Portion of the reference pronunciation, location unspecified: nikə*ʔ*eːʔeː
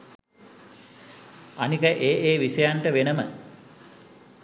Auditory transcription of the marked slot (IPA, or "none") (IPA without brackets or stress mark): ʔ